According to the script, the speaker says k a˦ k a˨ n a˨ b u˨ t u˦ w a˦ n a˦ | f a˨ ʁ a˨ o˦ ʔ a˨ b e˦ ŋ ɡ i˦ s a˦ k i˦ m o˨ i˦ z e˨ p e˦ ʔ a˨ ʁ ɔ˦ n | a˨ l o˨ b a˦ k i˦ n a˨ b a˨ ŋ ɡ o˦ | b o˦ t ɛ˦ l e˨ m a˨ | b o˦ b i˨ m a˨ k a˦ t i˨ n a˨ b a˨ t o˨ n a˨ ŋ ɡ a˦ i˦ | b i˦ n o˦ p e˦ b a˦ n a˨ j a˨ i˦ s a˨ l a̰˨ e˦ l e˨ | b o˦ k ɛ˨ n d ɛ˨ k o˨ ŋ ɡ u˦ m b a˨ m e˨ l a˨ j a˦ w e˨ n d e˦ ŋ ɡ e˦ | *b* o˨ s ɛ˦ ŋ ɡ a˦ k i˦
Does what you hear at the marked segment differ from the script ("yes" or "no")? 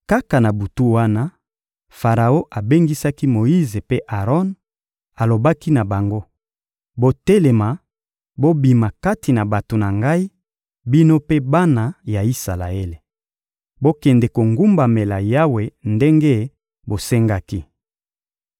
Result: no